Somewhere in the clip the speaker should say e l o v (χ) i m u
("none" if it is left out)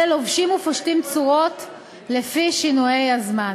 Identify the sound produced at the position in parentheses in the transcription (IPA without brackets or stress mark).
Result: ʃ